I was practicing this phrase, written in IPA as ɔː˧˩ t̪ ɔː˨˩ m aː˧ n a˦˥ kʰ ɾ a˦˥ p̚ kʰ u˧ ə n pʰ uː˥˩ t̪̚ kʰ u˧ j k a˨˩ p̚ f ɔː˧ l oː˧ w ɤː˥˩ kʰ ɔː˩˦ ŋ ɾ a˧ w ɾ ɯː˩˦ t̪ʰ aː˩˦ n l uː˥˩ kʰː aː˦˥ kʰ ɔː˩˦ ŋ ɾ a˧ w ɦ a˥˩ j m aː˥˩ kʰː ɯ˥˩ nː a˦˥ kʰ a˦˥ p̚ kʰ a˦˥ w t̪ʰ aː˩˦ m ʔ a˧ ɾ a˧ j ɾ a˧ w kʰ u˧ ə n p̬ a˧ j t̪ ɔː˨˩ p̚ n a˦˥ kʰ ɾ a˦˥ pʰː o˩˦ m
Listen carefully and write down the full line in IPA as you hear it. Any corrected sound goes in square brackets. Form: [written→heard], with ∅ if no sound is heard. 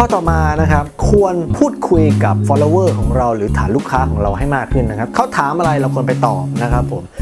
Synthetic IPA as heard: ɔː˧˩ t̪ ɔː˨˩ m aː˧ n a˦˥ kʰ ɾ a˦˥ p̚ kʰ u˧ ə n pʰ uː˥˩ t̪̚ kʰ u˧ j k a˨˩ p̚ f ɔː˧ l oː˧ w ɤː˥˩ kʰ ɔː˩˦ ŋ ɾ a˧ w ɾ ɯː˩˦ t̪ʰ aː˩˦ n l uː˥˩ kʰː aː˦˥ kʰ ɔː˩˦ ŋ ɾ a˧ w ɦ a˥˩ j m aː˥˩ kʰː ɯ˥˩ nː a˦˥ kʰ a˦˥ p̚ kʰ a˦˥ w t̪ʰ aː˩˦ m ʔ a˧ ɾ a˧ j ɾ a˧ w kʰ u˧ ə n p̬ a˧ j t̪ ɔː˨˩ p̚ n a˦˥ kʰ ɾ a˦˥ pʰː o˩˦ m